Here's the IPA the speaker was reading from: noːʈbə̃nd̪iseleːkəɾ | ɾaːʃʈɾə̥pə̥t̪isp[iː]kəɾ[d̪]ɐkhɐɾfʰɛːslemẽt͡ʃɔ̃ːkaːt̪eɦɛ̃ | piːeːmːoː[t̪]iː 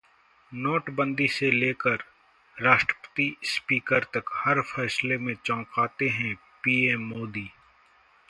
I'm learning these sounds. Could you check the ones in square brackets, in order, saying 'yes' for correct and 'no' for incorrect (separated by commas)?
yes, no, no